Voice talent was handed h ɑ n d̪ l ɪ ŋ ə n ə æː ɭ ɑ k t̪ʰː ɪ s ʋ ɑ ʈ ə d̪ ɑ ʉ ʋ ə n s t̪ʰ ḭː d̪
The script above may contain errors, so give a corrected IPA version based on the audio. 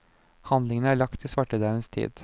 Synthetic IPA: h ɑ n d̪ l ɪ ŋ ə n ə æː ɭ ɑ k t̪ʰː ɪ s ʋ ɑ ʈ ə d̪ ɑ ʉ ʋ ə n s t̪ʰ ḭː d̪